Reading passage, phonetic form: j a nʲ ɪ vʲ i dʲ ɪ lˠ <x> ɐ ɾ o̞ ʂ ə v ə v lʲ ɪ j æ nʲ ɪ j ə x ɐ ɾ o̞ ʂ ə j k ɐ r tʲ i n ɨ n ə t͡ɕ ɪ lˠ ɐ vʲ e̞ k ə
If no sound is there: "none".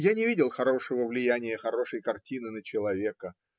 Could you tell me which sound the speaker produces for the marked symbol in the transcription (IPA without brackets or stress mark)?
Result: x